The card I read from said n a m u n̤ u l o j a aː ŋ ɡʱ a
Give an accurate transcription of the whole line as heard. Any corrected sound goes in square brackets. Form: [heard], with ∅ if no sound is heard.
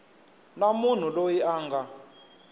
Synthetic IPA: n a m u n̤ u l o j [i] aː ŋ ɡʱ a